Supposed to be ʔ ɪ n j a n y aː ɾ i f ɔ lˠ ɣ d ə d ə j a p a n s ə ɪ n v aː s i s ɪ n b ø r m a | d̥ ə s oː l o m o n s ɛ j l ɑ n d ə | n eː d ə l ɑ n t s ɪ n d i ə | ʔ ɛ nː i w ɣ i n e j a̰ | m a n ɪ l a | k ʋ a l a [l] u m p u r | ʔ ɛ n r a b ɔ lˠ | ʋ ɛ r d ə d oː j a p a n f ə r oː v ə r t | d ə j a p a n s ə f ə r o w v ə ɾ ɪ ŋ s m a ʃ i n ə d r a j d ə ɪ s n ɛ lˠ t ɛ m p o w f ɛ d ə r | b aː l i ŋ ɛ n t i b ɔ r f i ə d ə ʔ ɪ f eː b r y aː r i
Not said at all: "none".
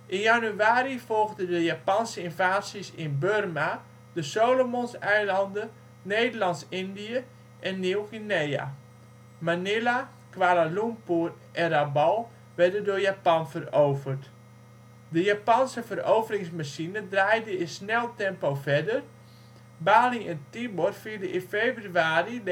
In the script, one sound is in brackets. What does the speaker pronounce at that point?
l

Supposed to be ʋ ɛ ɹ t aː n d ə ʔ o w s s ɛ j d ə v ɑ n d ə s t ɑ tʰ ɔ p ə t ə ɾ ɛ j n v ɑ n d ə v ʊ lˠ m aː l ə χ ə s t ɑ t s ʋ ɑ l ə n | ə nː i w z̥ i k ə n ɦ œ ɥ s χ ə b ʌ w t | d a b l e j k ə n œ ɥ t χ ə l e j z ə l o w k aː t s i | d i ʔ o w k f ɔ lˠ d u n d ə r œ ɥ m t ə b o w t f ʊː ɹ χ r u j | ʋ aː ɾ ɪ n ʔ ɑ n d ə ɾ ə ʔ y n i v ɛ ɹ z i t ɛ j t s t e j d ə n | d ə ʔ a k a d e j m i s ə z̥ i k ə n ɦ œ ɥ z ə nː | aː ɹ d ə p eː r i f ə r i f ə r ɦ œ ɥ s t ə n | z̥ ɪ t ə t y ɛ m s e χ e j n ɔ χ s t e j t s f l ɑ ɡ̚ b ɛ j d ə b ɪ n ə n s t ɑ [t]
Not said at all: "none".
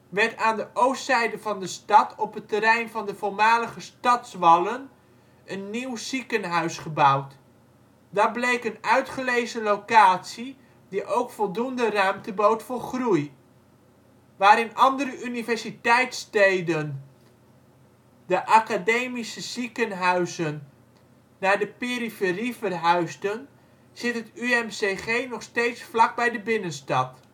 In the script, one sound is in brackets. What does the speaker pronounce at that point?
t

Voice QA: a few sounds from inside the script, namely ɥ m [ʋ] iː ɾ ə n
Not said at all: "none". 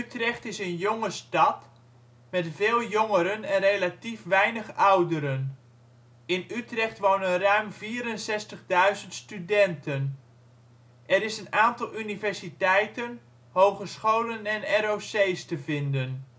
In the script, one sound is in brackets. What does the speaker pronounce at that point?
v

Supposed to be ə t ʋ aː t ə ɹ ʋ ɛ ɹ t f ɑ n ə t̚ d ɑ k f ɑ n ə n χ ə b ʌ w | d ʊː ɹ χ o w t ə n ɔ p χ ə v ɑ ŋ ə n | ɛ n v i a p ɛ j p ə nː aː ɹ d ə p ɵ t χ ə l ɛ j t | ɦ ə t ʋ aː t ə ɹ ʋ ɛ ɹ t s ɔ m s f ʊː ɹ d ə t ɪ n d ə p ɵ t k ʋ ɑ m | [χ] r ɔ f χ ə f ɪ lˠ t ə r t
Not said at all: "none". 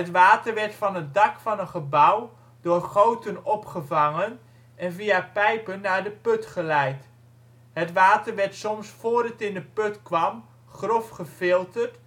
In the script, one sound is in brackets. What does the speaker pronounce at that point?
χ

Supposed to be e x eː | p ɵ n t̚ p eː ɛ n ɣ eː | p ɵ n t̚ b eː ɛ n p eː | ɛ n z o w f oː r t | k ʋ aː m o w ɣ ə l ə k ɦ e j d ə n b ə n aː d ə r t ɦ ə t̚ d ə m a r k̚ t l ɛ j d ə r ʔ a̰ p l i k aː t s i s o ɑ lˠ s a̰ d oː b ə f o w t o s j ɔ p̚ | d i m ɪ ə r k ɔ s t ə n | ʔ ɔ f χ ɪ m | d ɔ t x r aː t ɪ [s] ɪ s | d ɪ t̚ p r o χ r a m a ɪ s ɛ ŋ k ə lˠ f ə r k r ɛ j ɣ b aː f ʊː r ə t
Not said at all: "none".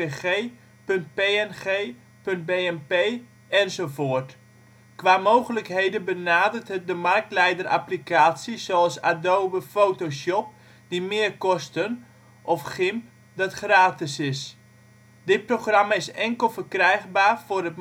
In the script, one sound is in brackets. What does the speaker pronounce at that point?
s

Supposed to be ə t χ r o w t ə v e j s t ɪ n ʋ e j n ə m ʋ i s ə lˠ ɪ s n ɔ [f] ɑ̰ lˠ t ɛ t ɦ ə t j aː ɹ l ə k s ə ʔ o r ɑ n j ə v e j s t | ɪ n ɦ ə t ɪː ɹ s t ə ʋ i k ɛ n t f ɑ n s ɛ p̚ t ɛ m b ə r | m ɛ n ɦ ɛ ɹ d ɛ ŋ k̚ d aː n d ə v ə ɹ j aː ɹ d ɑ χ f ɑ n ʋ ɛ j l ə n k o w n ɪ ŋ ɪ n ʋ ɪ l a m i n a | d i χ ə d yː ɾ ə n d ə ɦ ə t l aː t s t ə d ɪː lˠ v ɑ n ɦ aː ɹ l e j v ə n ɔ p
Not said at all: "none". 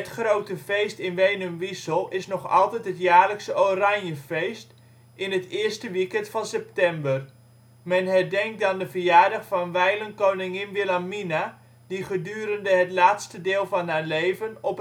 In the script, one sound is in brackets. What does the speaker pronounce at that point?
χ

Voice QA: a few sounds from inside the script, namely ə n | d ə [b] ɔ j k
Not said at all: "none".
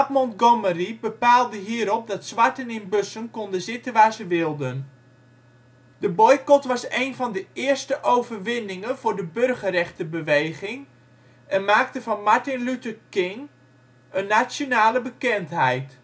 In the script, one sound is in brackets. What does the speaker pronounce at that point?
b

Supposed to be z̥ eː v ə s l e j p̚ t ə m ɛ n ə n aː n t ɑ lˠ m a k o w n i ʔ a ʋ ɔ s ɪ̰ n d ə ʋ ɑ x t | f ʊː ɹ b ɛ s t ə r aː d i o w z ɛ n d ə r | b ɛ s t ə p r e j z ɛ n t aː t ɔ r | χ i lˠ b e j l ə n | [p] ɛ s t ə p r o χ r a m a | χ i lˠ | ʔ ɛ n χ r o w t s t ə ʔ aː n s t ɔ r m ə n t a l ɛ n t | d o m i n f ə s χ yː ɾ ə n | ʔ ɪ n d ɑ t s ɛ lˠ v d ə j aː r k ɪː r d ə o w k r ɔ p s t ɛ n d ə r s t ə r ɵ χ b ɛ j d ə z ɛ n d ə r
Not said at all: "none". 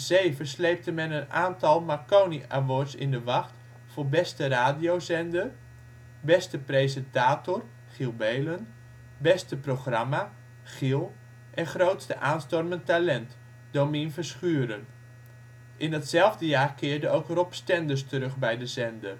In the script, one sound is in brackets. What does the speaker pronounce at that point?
b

